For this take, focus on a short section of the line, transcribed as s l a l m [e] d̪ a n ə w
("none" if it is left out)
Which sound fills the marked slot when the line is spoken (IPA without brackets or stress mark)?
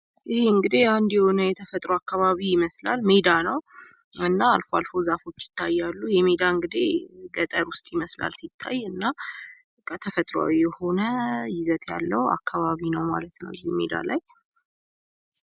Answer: e